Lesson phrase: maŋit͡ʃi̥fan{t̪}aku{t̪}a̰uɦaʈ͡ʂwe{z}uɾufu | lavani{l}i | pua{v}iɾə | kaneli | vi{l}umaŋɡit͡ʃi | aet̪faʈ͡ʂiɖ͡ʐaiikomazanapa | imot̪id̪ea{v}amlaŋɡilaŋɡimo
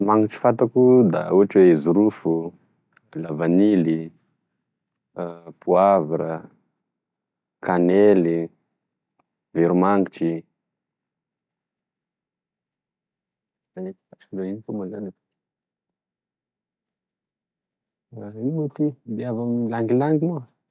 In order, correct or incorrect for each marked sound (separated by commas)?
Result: correct, incorrect, correct, correct, correct, incorrect, correct